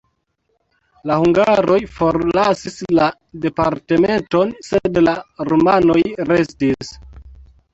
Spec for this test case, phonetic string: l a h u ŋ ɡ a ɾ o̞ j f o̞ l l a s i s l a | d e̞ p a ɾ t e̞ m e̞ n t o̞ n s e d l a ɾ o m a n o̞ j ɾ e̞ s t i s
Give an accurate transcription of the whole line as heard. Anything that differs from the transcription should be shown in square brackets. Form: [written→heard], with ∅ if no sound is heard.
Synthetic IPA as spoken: l a h u ŋ ɡ a ɾ o̞ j f o̞ [l→ɾ] l a s i s l a | d e̞ p a ɾ t e̞ m e̞ n t o̞ n s e d l a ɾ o m a n o̞ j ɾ e̞ s t i s